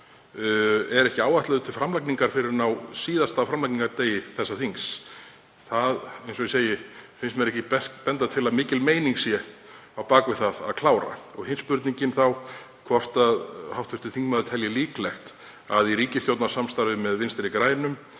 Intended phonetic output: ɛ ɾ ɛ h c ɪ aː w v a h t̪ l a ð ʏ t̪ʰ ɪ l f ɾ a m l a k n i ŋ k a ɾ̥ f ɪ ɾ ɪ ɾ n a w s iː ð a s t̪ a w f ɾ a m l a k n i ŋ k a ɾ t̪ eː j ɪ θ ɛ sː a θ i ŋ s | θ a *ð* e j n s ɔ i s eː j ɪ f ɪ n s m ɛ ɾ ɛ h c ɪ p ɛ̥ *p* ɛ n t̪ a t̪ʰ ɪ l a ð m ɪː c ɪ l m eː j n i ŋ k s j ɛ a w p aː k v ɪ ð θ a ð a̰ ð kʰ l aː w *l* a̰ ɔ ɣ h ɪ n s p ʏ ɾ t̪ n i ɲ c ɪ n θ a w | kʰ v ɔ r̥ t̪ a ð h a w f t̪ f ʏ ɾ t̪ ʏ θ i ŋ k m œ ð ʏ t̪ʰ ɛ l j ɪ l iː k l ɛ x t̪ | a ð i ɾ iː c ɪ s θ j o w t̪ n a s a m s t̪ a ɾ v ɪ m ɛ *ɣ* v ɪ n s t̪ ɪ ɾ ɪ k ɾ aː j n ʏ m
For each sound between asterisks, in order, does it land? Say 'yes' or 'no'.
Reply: yes, yes, no, no

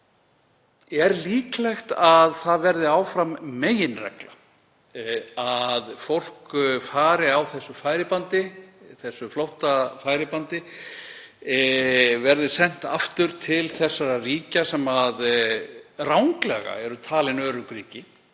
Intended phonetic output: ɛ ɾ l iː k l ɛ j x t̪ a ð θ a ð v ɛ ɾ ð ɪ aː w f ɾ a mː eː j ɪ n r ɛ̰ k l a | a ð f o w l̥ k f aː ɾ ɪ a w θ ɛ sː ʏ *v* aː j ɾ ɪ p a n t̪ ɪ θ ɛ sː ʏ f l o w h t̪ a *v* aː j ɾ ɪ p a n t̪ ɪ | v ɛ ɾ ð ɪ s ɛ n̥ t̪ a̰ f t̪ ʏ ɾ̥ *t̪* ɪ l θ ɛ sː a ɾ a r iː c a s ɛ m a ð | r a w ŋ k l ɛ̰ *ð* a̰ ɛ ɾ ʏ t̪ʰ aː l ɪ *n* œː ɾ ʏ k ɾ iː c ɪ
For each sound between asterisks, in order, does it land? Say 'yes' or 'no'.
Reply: no, no, no, no, yes

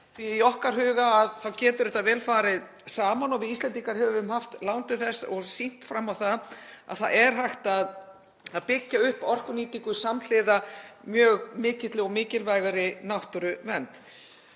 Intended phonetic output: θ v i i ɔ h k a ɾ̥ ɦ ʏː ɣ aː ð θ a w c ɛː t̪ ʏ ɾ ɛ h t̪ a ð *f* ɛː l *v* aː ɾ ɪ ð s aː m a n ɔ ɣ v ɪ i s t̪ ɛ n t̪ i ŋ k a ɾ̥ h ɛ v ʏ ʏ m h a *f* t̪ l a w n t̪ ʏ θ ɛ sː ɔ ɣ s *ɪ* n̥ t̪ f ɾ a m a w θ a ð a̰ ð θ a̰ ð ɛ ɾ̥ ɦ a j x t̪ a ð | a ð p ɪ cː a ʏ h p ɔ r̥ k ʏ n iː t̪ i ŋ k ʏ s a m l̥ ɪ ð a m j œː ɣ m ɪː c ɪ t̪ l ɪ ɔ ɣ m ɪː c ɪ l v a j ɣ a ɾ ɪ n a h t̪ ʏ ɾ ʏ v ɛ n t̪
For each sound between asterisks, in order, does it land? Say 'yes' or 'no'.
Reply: no, no, yes, no

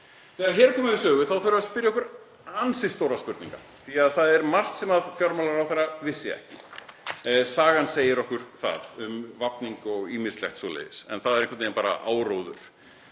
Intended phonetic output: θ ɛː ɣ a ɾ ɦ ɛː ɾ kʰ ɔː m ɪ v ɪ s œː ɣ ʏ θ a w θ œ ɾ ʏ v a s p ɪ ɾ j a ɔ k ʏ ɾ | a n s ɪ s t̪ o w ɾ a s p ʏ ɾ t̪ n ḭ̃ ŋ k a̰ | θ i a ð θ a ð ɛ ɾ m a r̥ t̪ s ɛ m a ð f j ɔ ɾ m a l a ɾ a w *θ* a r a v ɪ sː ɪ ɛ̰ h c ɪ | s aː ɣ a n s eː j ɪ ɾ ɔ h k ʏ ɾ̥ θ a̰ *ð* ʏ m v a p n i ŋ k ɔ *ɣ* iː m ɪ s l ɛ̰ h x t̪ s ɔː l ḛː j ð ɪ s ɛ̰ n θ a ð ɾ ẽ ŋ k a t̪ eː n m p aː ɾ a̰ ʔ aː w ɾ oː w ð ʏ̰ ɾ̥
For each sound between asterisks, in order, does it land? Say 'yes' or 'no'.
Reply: yes, yes, yes

